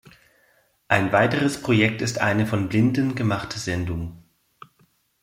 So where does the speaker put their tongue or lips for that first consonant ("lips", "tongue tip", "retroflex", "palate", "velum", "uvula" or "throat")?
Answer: throat